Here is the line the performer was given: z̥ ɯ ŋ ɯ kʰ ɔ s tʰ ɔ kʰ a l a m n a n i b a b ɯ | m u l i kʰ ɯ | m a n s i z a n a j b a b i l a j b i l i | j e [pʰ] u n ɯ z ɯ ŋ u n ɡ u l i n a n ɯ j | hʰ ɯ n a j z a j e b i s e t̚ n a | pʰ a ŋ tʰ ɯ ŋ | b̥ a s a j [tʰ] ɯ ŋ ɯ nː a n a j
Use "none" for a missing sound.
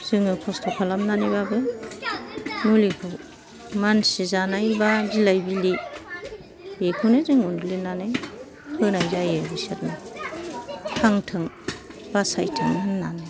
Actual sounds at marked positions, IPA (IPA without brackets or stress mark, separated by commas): kʰ, tʰ